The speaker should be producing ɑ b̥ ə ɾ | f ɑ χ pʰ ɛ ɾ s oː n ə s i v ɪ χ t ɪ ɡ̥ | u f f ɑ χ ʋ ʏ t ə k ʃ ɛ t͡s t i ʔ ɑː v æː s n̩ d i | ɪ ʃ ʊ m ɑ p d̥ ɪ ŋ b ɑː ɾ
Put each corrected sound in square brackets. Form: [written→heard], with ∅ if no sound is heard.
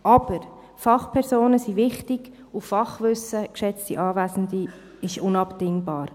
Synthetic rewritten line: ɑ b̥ ə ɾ | f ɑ χ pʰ ɛ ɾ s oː n ə s i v ɪ χ t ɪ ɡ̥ | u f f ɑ χ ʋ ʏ [t→s] ə k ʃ ɛ t͡s t i ʔ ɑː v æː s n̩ d i | ɪ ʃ ʊ [m→n] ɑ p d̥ ɪ ŋ b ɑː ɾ